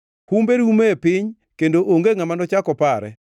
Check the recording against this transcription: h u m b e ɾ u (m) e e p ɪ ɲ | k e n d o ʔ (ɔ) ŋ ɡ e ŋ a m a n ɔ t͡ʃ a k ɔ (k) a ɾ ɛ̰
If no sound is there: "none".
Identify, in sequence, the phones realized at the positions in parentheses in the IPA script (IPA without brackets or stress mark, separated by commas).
m, o, p